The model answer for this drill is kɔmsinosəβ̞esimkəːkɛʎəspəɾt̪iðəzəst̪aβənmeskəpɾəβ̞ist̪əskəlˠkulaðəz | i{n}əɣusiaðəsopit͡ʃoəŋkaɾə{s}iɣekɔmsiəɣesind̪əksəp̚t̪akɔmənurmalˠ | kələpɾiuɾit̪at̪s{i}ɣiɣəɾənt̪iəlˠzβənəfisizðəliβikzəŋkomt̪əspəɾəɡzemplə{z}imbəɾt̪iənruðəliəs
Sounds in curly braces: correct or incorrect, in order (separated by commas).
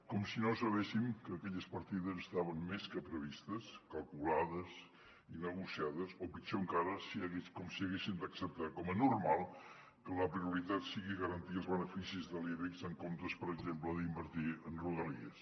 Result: correct, correct, correct, incorrect